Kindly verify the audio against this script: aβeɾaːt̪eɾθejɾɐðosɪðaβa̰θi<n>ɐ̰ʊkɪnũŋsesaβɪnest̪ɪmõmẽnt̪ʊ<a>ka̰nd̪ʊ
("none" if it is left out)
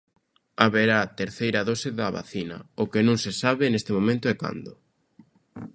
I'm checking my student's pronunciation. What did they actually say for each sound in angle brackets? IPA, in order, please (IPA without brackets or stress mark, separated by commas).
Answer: n, ɛ